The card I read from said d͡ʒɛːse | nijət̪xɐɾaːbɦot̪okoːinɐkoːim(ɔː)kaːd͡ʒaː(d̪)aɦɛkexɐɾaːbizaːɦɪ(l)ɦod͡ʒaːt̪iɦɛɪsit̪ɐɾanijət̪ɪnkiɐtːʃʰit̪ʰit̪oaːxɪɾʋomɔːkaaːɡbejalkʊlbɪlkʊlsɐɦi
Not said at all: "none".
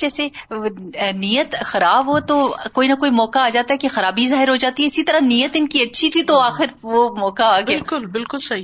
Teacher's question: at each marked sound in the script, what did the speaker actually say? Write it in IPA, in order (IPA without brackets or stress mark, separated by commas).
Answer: ɔː, t̪, ɾ